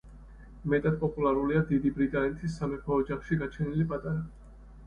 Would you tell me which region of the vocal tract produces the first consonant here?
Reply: lips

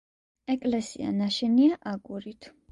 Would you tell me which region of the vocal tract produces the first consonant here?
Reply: velum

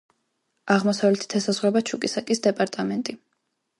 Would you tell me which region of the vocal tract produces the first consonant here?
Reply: uvula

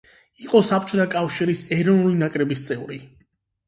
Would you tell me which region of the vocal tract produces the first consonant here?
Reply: uvula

